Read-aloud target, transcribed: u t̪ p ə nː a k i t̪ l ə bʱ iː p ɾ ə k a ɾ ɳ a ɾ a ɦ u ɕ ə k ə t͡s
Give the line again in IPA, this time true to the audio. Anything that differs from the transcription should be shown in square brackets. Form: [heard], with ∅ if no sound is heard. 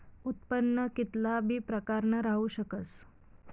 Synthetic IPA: u t̪ p ə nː [ə] k i t̪ l [a] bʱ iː p ɾ ə k a ɾ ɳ [ə] ɾ a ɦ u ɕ ə k ə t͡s